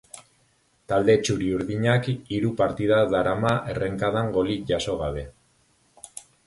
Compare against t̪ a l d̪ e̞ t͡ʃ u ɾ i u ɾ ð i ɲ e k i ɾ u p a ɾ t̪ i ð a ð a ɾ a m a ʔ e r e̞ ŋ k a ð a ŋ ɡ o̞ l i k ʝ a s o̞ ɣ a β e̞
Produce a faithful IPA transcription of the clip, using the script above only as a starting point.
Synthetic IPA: t̪ a l d̪ e̞ t͡ʃ u ɾ i u ɾ ð i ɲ a k i ɾ u p a ɾ t̪ i ð a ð a ɾ a m a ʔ e r e̞ ŋ k a ð a ŋ ɡ o̞ l i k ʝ a s o̞ ɣ a β e̞